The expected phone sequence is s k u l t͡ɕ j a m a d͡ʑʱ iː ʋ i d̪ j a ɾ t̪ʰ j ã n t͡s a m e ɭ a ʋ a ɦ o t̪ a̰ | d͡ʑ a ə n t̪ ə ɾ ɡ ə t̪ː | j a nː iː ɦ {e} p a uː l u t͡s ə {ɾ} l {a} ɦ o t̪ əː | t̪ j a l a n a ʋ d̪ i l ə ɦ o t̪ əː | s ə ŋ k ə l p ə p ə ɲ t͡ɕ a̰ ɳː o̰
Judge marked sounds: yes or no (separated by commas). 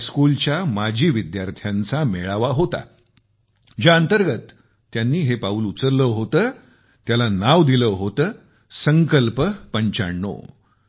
yes, yes, no